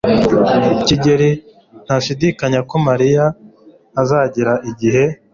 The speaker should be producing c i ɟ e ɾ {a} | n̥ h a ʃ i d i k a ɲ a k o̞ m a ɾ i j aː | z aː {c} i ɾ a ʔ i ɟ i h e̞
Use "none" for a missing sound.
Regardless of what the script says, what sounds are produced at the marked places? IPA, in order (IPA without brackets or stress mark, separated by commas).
i, ɟ